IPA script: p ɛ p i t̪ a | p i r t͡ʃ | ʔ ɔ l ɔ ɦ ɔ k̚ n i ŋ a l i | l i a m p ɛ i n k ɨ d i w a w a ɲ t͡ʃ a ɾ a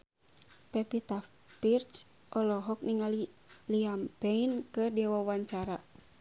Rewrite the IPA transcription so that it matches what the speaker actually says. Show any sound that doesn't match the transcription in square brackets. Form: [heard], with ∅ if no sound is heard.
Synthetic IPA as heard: p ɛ p i t̪ a | p i r t͡ʃ | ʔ ɔ l ɔ ɦ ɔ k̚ n i ŋ a l i | l i a m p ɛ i n k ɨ d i w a w a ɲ t͡ʃ a ɾ a